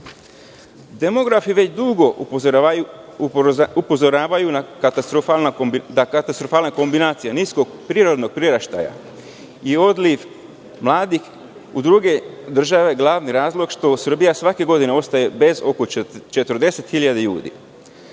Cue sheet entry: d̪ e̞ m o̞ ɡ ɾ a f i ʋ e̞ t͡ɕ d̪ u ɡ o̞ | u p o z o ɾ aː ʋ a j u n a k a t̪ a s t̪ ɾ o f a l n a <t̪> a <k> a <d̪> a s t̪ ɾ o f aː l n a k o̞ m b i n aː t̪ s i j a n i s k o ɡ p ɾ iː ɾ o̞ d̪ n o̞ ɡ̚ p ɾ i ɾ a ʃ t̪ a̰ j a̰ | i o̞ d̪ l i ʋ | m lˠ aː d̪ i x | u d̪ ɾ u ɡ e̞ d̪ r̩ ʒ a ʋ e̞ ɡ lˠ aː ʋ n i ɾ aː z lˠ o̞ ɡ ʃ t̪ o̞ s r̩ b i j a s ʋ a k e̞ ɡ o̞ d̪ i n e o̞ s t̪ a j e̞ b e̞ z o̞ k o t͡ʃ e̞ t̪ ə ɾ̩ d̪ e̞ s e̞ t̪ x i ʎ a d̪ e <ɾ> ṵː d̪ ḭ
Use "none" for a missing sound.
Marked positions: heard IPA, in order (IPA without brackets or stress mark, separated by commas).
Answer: d̪, k, t̪, ʎ